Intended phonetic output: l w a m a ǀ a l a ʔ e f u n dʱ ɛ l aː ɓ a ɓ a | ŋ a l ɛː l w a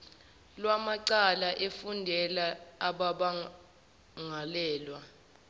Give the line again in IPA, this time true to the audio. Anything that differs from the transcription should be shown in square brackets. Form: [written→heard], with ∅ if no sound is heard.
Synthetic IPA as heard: l w a m a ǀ a l a ʔ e f u n dʱ ɛ l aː ɓ a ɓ a | ŋ a l ɛː l w a